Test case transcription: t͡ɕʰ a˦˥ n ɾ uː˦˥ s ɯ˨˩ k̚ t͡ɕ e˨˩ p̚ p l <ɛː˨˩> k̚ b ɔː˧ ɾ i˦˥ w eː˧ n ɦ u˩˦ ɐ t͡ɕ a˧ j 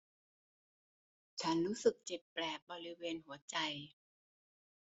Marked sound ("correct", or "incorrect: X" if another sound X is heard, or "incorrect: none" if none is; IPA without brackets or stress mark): correct